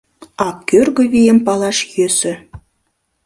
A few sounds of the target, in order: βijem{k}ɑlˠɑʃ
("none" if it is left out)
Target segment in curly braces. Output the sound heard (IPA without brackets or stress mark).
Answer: p